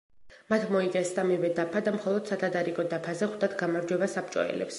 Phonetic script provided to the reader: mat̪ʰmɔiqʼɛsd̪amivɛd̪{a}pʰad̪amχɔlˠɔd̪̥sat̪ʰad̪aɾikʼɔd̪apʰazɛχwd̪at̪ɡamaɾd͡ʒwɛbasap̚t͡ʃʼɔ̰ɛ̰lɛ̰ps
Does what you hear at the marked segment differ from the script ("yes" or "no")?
no